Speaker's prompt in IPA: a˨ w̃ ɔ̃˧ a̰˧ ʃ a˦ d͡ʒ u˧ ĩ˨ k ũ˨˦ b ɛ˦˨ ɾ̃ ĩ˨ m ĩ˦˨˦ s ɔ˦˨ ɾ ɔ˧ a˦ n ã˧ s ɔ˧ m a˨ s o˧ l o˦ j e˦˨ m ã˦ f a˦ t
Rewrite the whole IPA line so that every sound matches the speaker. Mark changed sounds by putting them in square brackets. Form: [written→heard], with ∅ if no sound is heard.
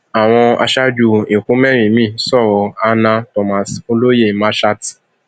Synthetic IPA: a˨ w̃ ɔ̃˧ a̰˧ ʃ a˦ d͡ʒ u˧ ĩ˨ k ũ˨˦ [b→m] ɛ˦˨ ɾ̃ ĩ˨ m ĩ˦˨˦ s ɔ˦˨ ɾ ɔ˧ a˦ n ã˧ [s→t] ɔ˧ m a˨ s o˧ l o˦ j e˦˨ m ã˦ [f→ʃ] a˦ t